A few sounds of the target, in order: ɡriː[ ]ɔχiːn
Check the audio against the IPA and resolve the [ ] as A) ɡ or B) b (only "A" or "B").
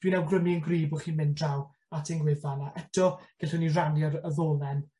B